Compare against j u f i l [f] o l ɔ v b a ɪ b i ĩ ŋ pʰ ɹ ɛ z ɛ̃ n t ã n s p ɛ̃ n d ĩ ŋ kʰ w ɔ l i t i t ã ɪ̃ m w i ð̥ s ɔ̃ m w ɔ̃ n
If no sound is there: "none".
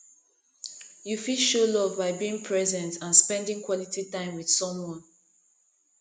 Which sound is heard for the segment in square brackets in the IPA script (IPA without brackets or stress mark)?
ʃ